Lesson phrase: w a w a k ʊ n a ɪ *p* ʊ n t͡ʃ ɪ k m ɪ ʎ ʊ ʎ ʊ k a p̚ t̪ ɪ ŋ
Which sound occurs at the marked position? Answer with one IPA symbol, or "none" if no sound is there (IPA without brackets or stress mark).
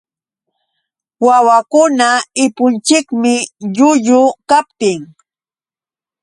p